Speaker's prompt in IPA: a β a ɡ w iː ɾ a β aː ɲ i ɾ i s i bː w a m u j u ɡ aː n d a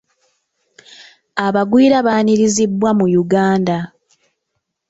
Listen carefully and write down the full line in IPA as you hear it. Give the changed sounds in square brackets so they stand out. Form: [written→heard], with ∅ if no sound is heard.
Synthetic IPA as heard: a β a ɡ w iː ɾ a β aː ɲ i ɾ i [s→z] i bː w a m u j u ɡ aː n d a